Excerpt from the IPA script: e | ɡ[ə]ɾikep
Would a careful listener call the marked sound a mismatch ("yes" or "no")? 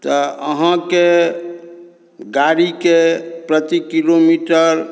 yes